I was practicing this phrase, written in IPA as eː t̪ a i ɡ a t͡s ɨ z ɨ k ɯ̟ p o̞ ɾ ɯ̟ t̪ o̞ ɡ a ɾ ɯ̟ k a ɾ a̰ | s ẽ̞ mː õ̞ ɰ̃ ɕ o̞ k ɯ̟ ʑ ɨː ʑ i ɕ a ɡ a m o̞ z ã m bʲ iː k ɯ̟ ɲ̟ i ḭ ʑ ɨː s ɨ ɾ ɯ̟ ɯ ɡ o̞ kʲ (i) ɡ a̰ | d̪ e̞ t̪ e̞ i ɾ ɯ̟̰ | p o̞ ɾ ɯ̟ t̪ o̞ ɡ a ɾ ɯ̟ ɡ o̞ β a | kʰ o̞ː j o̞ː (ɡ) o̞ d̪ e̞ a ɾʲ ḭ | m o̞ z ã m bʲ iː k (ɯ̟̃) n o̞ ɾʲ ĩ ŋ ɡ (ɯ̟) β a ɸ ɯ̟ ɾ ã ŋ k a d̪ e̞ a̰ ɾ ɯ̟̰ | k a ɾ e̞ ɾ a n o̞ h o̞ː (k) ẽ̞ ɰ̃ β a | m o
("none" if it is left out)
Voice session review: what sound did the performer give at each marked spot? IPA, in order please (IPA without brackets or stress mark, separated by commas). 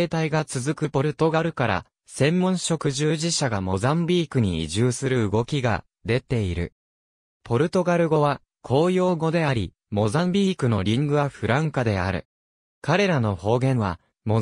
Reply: i, ɡ, ɯ̟, ɯ̟, ɡ